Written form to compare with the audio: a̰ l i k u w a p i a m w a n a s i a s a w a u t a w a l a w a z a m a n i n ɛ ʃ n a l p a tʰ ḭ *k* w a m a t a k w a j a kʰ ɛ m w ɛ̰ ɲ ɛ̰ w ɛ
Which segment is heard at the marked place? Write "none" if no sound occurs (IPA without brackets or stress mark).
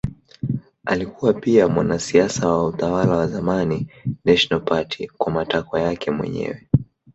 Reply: k